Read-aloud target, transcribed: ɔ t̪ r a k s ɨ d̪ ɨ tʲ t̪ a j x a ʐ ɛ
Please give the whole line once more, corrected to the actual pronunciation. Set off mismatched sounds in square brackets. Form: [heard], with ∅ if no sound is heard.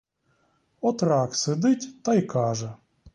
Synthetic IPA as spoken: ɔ t̪ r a k s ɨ d̪ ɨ tʲ t̪ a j [k] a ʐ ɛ

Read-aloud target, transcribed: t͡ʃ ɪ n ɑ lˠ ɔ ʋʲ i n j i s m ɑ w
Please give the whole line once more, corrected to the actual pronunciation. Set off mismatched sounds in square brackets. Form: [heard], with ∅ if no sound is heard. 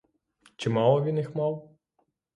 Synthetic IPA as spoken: t͡ʃ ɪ [m] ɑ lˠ ɔ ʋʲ i n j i [x] m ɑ w

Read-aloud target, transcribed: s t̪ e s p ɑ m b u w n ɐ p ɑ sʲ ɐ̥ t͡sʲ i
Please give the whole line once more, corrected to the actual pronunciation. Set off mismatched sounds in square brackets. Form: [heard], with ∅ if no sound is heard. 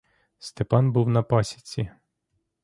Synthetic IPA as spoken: s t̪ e [∅] p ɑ [n] b u w n ɐ p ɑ sʲ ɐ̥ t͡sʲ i

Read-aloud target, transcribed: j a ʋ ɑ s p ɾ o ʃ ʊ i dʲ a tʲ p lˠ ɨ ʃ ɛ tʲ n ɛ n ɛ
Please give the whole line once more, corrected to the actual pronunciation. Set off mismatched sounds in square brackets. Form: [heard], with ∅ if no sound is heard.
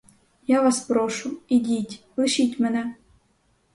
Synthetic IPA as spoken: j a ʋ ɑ s p ɾ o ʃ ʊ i dʲ [i] tʲ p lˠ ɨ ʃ [i] tʲ [m] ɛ n ɛ

